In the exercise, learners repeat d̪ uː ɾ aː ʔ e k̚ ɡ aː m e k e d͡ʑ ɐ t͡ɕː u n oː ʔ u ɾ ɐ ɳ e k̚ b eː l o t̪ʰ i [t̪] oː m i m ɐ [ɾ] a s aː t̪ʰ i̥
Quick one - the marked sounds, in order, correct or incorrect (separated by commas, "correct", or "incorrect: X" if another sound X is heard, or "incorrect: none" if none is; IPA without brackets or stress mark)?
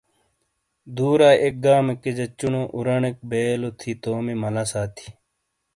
correct, incorrect: l